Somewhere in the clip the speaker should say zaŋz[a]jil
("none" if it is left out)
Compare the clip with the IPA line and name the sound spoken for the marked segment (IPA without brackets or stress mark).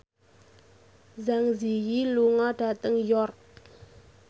i